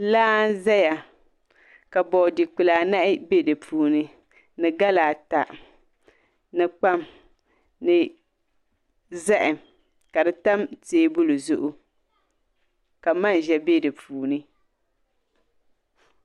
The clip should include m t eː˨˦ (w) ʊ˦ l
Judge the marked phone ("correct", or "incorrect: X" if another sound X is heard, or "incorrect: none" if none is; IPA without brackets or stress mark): incorrect: b